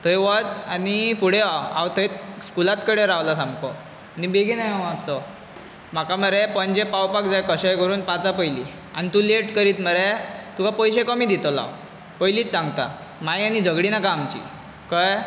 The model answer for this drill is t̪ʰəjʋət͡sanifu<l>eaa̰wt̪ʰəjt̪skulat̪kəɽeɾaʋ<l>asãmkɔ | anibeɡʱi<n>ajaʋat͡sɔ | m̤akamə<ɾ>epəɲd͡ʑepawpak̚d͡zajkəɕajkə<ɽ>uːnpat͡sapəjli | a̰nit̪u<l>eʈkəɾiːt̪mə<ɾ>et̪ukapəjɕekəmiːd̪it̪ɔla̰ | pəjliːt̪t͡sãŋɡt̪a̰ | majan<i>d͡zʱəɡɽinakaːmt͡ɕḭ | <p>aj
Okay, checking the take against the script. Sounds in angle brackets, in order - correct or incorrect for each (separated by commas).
incorrect, correct, correct, correct, incorrect, correct, correct, correct, incorrect